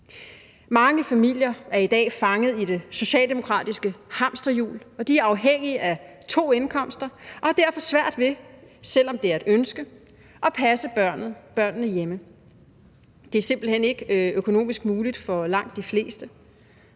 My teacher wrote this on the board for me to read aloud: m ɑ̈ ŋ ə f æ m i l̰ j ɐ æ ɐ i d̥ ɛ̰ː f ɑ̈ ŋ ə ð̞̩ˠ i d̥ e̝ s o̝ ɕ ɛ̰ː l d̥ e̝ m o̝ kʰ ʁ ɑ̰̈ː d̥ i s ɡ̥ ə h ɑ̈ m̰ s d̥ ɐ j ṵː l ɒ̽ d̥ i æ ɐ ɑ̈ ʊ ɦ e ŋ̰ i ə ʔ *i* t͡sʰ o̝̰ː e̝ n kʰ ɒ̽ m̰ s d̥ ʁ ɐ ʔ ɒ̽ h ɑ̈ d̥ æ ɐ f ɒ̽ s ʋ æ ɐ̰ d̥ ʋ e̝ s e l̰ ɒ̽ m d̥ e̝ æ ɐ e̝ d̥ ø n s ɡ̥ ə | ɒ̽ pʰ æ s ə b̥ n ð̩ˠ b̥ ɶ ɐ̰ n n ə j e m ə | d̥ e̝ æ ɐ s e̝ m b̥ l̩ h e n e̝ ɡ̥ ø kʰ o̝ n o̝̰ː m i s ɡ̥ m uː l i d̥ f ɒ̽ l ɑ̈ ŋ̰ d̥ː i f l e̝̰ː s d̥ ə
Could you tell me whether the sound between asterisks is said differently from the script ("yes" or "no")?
yes